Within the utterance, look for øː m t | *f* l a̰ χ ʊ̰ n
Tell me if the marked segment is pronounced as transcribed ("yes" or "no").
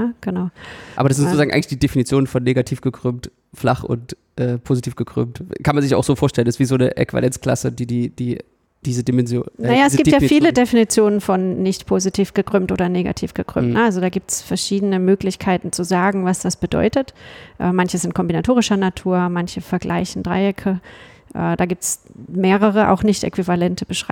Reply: yes